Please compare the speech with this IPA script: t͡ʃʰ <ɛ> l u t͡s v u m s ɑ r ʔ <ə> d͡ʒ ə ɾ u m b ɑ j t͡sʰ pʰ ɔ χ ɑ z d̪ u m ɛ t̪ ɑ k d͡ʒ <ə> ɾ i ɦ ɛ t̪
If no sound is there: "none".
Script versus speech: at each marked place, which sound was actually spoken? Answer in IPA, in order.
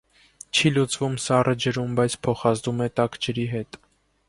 i, ə, ə

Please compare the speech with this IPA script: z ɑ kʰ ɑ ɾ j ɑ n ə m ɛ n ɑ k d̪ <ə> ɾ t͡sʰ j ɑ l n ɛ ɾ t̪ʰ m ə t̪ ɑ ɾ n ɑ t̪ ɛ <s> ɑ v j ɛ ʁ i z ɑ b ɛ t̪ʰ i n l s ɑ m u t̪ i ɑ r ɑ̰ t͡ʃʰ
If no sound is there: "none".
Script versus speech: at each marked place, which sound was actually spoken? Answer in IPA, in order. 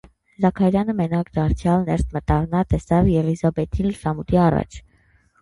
ɑ, s

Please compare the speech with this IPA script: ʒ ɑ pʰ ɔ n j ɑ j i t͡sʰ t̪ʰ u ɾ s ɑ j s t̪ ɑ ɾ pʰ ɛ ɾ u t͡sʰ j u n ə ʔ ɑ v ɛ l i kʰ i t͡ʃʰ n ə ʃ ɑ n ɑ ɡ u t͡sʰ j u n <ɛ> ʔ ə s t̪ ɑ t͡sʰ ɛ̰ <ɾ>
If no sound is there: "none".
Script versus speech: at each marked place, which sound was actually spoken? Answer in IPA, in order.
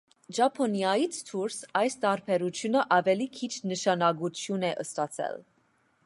ɛ, l

